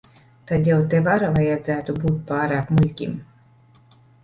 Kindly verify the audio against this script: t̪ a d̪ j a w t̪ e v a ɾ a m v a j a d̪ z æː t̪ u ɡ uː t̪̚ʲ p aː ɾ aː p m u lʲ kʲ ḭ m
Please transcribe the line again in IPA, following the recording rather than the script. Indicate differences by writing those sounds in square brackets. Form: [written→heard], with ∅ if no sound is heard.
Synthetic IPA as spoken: t̪ a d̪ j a w t̪ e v a ɾ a [m→∅] v a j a d̪ z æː t̪ u [ɡ→b] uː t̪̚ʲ p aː ɾ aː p m u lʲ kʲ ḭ m